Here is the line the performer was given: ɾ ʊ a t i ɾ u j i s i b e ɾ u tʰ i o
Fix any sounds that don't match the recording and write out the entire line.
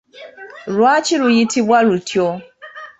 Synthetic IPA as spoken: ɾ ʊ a t͡ʃ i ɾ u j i t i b a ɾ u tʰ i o